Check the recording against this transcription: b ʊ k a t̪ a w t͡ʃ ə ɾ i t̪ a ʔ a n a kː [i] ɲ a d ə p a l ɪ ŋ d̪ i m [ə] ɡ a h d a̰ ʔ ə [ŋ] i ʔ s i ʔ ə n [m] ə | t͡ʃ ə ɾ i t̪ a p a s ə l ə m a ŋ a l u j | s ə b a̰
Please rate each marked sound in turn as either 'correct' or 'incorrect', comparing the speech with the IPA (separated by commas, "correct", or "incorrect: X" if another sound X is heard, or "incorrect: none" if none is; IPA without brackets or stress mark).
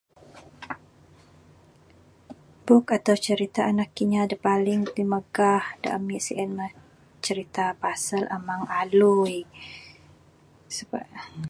correct, correct, incorrect: m, correct